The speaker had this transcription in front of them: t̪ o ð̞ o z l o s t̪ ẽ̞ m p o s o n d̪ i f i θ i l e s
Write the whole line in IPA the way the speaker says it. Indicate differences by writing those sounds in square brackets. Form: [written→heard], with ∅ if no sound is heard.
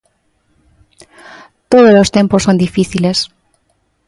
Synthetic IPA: t̪ o ð̞ o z l o s t̪ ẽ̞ m p o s o n d̪ i f i θ i l e s